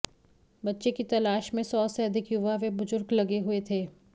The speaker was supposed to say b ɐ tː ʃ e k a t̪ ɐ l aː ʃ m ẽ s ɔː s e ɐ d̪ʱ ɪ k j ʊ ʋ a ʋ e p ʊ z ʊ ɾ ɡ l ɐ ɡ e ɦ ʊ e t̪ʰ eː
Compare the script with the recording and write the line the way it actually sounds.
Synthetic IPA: b ɐ tː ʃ e k i t̪ ɐ l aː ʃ m ẽ s ɔː s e ɐ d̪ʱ ɪ k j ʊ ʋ a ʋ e b ʊ z ʊ ɾ ɡ l ɐ ɡ e ɦ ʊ e t̪ʰ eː